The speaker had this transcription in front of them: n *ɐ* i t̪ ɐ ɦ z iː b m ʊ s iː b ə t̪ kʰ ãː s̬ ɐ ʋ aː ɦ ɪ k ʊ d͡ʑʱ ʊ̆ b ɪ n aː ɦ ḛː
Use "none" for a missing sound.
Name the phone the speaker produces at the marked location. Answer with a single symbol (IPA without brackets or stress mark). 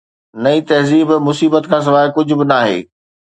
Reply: ɐ